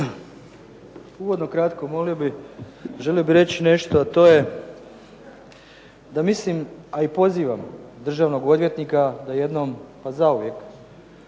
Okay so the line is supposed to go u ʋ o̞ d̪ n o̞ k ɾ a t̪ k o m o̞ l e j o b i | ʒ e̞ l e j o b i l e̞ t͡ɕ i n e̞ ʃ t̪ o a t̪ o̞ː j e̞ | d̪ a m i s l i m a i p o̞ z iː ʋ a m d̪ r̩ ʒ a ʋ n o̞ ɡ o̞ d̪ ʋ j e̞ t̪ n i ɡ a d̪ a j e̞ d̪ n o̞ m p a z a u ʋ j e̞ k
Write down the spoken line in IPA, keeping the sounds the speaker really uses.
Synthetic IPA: u ʋ o̞ d̪ n o̞ k ɾ a t̪ k o m o̞ l i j o b i | ʒ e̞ l i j o b i ɾ e̞ t͡ɕ i n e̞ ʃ t̪ o a t̪ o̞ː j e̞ | d̪ a m i s l i m a i p o̞ z iː ʋ a m d̪ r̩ ʒ a ʋ n o̞ ɡ o̞ d̪ ʋ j e̞ t̪ n i k a d̪ a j e̞ d̪ n o̞ m p a z a u ʋ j e̞ k